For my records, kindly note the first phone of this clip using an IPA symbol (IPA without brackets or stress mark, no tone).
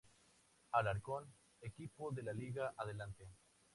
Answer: a